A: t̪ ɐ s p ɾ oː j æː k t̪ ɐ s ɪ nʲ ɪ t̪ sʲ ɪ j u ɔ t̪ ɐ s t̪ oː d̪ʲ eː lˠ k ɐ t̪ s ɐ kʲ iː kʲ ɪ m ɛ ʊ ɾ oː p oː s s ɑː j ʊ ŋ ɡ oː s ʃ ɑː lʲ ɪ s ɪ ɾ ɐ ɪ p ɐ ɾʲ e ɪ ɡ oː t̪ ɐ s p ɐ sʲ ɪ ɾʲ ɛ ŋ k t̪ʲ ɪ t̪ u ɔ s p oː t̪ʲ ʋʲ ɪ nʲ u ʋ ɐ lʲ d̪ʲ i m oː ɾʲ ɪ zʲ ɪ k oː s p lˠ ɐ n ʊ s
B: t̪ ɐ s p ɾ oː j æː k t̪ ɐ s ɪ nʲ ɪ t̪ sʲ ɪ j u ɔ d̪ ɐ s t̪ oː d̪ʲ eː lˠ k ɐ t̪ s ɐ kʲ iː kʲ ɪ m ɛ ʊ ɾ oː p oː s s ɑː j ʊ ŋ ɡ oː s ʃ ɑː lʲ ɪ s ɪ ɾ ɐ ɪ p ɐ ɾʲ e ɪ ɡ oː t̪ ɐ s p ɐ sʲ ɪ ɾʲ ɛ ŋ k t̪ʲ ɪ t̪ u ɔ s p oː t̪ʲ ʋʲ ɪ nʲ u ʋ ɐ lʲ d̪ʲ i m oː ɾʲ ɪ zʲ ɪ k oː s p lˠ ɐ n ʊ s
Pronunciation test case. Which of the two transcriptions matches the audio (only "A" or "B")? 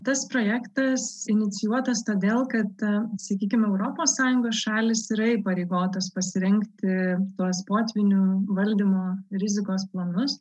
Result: A